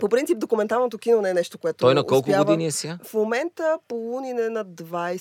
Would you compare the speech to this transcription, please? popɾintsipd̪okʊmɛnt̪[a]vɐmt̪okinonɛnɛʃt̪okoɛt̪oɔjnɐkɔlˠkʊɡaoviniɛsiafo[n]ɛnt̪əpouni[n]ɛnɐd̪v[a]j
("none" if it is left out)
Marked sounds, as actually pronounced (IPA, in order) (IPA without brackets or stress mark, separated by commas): a, m, n, a